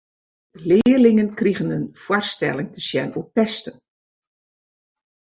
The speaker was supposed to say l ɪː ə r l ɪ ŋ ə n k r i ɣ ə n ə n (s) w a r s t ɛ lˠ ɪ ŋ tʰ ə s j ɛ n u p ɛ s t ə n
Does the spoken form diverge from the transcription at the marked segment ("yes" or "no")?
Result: yes